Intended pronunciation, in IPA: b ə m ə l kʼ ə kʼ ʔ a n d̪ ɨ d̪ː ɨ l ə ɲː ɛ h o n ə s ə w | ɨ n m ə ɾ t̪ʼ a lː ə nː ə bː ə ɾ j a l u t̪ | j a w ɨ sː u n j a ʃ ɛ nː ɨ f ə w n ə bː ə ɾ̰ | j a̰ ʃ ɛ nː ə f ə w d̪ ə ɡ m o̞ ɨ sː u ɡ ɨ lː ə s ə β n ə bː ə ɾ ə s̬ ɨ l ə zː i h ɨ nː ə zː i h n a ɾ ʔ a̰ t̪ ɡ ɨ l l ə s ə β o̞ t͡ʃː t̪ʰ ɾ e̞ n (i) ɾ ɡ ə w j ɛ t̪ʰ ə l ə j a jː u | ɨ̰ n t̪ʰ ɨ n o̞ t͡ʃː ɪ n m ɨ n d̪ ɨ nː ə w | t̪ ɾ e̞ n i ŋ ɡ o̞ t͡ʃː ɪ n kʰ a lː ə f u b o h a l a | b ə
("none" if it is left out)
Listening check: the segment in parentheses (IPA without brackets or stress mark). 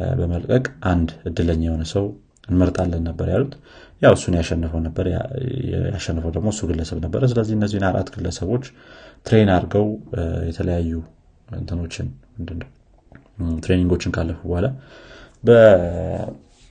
a